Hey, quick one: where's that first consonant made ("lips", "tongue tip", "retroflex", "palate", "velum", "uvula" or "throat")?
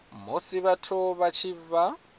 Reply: lips